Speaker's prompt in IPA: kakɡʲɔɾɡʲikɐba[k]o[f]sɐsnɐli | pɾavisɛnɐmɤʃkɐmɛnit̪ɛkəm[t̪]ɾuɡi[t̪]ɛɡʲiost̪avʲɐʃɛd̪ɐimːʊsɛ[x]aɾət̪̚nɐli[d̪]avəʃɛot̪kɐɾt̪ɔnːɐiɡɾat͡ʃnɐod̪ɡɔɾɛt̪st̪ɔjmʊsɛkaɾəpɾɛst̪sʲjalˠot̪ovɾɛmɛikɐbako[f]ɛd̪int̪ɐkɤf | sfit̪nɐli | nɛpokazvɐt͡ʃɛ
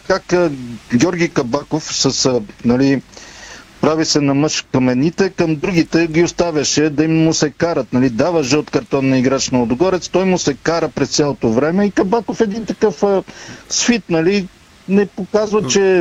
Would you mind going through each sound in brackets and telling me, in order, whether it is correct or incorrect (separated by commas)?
correct, correct, incorrect, correct, incorrect, correct, correct